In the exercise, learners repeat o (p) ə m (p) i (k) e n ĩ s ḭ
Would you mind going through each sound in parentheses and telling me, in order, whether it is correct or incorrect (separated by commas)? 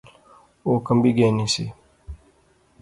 incorrect, incorrect, incorrect